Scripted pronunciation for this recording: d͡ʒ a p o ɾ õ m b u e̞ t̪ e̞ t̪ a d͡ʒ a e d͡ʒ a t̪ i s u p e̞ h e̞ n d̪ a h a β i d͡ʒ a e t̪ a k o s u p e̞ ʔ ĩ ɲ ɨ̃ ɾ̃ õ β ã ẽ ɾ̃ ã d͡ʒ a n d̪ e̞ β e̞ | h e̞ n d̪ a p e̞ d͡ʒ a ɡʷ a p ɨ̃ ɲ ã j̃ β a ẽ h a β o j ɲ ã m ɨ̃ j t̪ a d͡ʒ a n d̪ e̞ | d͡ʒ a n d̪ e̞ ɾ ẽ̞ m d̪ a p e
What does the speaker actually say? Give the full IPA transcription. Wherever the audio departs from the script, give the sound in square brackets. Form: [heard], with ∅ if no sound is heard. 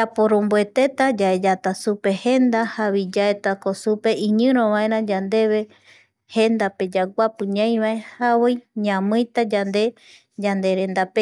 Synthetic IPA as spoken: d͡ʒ a p o ɾ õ m b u e̞ t̪ e̞ t̪ a d͡ʒ a e d͡ʒ a t̪ [a] s u p e̞ h e̞ n d̪ a h a β i d͡ʒ a e t̪ a k o s u p e̞ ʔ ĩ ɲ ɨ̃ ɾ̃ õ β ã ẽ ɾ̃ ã d͡ʒ a n d̪ e̞ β e̞ | h e̞ n d̪ a p e̞ d͡ʒ a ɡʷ a p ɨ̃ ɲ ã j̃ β a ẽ h a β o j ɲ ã m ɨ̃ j t̪ a d͡ʒ a n d̪ e̞ | d͡ʒ a n d̪ e̞ ɾ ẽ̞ [n] d̪ a p e